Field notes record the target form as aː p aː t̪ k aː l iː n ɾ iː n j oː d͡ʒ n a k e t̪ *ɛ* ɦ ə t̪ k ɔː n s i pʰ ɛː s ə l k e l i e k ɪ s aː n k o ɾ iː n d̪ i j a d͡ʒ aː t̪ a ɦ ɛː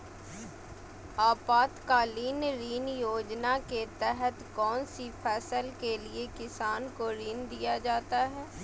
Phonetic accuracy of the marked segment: correct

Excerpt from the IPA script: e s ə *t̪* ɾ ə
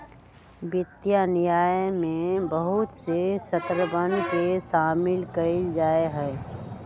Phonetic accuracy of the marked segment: correct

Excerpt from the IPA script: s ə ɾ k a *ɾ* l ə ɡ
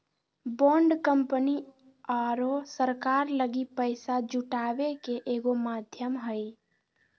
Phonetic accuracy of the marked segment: correct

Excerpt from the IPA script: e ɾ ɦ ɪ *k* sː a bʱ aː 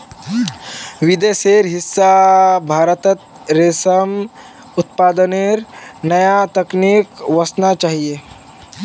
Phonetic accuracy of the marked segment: incorrect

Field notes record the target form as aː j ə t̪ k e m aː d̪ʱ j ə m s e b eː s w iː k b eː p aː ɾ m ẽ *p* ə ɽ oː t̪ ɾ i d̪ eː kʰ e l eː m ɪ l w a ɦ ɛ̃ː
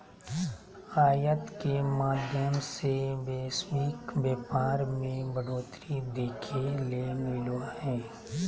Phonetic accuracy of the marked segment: incorrect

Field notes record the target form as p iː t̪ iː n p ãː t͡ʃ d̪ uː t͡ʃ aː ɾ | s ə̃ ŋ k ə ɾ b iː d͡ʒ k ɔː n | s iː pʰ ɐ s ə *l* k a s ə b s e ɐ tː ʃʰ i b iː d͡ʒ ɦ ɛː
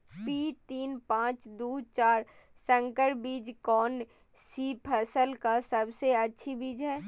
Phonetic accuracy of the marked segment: correct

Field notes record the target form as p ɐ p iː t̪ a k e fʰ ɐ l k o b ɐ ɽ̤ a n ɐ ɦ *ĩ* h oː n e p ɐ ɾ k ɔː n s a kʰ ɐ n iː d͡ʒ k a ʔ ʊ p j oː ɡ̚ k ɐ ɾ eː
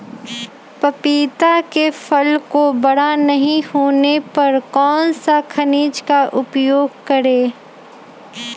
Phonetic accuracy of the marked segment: correct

